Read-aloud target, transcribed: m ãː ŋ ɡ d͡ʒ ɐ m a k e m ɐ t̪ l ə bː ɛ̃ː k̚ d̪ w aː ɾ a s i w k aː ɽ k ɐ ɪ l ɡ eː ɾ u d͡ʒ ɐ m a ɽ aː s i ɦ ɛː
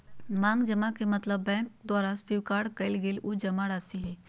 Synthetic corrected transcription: m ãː ŋ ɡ d͡ʒ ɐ m a k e m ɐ t̪ l ə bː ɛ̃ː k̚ d̪ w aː ɾ a s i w k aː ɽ k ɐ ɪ l ɡ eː l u d͡ʒ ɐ m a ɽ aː s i ɦ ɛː